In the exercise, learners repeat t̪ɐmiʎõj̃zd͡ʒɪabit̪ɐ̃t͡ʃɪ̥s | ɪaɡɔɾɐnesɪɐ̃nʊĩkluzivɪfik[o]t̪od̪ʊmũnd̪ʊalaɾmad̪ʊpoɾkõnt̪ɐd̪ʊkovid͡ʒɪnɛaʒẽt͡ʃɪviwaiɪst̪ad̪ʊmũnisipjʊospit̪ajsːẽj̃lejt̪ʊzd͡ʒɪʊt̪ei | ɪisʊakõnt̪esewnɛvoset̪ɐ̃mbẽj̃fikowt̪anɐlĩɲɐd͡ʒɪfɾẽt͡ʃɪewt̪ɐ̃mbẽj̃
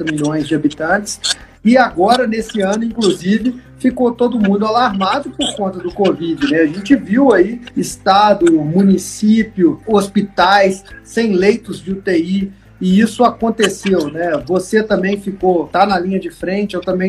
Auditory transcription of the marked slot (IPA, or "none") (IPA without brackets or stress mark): o